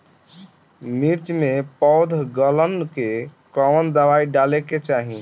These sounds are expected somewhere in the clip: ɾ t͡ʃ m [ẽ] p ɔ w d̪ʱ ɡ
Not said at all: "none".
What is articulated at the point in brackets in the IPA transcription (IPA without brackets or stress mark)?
e